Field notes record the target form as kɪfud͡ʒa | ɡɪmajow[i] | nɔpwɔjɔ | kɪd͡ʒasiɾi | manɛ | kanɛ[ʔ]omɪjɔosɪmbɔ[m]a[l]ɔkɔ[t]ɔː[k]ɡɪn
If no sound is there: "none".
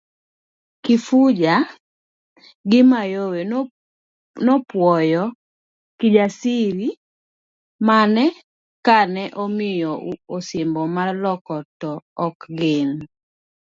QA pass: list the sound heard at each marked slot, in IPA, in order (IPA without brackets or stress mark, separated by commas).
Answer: e, ʔ, m, l, t, k